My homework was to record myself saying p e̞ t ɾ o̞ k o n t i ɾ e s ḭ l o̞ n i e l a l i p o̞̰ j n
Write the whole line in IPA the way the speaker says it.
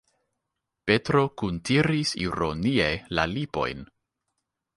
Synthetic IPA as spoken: p e̞ t ɾ o̞ k u n t i ɾ i s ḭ ɾ o̞ n i e l a l i p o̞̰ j n